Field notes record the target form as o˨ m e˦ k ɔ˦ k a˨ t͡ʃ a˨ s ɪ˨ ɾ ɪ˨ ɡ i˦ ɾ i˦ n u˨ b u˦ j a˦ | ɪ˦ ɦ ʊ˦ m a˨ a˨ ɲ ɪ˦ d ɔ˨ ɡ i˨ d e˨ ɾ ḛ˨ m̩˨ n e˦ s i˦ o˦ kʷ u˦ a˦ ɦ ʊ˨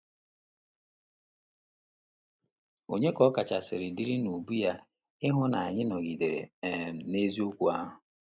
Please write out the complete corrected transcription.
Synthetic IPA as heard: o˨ ɲ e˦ k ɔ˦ k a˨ t͡ʃ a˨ s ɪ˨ ɾ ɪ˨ d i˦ ɾ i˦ n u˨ b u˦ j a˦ | ɪ˦ ɦ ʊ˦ n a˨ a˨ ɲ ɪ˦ n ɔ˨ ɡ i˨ d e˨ ɾ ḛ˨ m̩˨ n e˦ z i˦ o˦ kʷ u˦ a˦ ɦ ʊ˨